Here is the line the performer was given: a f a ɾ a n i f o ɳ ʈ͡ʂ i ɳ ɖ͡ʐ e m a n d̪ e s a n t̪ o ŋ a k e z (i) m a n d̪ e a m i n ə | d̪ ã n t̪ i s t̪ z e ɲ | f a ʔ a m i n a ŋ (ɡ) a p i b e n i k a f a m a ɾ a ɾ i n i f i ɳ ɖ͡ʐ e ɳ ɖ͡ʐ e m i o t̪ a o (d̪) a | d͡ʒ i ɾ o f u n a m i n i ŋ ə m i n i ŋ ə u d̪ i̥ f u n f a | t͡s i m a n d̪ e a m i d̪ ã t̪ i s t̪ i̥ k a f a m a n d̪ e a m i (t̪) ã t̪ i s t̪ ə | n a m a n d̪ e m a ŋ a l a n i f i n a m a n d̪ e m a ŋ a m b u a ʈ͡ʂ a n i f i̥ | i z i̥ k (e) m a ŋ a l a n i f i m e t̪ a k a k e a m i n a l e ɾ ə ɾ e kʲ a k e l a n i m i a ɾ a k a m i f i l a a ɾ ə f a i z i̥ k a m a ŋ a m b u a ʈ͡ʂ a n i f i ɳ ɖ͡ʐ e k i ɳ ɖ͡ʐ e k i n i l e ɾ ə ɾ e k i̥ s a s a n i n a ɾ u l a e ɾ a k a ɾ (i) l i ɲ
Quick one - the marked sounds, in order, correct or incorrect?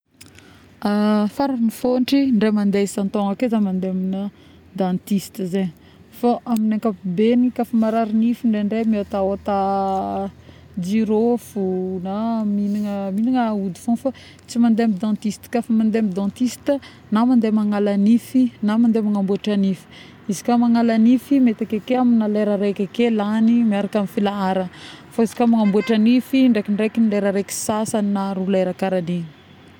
incorrect: a, incorrect: k, incorrect: t̪, incorrect: d̪, incorrect: a, incorrect: a

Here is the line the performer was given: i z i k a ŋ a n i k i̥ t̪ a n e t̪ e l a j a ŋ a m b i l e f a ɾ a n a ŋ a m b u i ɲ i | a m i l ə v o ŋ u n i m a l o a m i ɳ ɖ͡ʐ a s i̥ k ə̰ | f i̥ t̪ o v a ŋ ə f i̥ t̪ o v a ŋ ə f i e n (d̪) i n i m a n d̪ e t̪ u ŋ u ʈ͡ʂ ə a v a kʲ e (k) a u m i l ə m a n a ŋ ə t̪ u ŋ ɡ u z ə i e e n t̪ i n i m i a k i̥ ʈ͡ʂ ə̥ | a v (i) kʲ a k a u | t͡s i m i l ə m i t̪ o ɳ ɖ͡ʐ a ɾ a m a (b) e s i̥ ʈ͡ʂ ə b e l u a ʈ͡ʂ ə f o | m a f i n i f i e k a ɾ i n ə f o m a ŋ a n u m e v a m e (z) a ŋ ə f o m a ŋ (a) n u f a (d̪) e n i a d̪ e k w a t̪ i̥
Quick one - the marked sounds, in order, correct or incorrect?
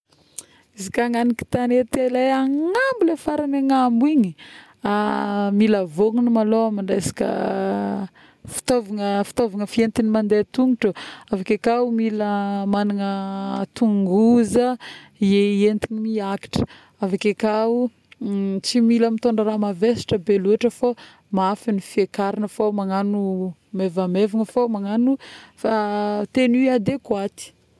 incorrect: t̪, correct, incorrect: a, incorrect: v, incorrect: v, correct, incorrect: t̪

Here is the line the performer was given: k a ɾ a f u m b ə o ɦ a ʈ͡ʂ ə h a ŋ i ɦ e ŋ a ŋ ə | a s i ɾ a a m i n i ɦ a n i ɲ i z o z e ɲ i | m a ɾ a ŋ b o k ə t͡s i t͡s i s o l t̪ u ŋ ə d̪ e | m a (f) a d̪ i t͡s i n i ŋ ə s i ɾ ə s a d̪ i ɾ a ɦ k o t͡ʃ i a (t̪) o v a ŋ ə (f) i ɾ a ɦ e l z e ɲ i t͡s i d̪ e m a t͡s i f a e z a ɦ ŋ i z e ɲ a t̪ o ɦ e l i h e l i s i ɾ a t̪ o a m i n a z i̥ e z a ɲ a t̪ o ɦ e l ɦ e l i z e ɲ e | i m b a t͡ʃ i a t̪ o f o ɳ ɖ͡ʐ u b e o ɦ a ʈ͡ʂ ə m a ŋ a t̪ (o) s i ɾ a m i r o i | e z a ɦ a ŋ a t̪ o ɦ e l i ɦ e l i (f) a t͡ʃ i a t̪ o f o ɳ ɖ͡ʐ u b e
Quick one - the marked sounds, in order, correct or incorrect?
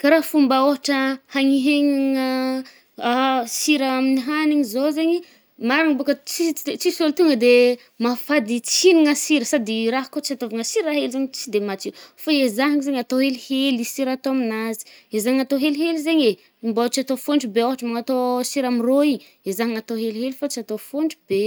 correct, correct, incorrect: s, correct, correct

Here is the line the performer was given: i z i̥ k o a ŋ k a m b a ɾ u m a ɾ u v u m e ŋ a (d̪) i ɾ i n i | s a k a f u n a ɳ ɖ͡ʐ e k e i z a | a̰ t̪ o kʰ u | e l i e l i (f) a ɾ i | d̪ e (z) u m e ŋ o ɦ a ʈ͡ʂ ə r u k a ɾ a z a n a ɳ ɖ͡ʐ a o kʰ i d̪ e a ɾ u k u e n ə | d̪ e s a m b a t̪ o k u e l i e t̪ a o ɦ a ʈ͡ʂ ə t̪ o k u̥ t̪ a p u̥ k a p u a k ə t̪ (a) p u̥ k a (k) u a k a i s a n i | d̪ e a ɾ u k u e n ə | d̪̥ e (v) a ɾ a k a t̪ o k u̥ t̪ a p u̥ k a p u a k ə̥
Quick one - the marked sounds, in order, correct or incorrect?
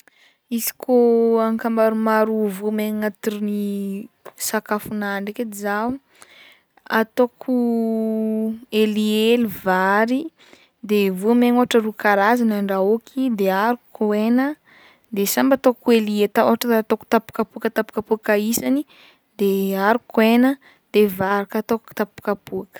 incorrect: t̪, incorrect: v, incorrect: v, correct, incorrect: p, correct

